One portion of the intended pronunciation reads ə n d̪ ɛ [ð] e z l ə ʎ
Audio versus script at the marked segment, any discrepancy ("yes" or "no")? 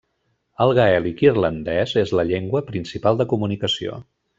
yes